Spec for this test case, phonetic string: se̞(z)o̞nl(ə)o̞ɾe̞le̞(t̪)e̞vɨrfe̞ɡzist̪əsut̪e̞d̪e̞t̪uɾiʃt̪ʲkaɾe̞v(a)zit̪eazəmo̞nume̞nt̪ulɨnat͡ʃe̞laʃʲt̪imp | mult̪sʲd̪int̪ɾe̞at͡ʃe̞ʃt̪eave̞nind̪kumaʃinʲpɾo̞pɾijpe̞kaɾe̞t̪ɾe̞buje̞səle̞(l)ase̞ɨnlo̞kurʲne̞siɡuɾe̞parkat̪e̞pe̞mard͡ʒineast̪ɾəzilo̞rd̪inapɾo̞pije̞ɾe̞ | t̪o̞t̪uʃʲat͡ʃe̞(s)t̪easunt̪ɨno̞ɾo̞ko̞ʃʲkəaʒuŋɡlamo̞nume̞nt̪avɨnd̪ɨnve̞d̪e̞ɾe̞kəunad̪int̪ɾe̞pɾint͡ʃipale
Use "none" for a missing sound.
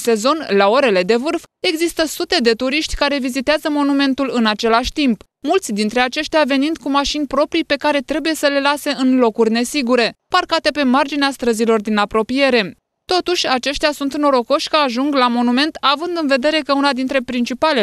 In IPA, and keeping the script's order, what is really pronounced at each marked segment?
z, a, d̪, i, l, ʃ

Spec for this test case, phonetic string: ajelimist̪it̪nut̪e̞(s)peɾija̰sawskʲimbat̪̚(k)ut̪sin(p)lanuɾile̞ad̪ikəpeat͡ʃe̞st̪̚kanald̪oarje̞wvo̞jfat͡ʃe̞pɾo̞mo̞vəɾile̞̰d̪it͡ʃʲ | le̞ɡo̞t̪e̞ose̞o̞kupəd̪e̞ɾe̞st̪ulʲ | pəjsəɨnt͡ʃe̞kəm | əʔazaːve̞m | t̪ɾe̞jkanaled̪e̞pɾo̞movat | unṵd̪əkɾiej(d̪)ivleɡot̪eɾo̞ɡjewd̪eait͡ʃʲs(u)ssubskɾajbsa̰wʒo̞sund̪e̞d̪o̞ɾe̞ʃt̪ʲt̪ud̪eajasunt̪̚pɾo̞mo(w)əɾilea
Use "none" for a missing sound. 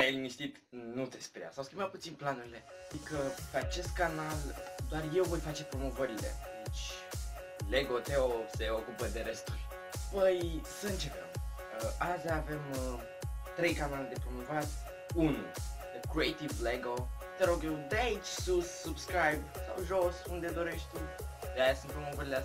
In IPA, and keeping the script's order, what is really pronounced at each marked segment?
s, p, p, t̪, u, v

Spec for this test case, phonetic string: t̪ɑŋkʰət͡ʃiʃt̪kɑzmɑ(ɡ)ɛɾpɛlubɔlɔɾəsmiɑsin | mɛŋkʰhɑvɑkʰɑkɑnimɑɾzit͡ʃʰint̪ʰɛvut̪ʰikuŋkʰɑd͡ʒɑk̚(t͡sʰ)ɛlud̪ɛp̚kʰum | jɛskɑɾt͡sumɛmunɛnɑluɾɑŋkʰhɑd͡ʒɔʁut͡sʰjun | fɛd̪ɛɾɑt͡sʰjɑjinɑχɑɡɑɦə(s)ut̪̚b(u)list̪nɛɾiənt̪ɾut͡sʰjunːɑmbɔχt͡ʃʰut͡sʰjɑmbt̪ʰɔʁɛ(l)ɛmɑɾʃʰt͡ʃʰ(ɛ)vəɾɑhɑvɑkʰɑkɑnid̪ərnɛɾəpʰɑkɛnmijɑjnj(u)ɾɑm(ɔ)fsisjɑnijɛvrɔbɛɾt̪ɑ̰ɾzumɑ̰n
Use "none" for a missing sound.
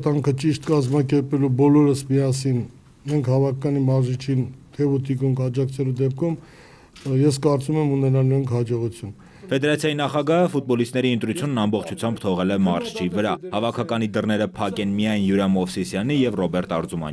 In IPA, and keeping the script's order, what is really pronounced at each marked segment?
k, t͡sʰ, f, ɔ, l, i, u, ɔ

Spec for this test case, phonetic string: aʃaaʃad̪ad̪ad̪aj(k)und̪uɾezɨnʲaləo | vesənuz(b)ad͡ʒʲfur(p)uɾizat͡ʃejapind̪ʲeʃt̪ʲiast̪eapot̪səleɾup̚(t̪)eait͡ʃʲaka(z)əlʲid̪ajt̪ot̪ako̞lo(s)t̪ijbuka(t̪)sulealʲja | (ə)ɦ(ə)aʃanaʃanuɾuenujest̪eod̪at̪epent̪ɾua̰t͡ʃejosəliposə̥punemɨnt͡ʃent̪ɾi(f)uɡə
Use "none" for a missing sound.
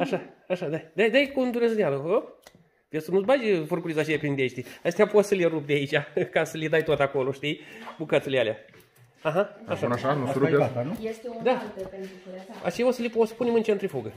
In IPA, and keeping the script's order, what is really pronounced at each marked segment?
k, b, k, d̪, s, ʃ, t̪, a, a, f

